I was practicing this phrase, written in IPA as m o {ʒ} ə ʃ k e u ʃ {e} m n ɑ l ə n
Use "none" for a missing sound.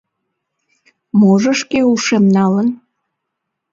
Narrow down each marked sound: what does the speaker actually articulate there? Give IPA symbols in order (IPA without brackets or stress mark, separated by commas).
ʒ, e